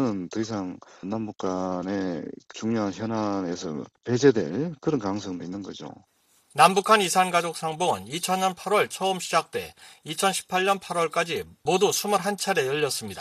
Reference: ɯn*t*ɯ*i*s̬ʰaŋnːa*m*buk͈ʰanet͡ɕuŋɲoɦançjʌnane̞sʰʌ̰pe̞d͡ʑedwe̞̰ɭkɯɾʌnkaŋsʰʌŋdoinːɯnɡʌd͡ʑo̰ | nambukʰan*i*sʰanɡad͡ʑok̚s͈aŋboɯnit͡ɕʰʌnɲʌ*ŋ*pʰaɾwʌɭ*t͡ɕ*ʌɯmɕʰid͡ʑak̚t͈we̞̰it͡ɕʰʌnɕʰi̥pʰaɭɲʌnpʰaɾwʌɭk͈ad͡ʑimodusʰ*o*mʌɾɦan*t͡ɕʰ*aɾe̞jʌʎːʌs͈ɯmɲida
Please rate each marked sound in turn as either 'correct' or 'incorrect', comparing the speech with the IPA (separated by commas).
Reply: correct, correct, correct, correct, incorrect, incorrect, incorrect, correct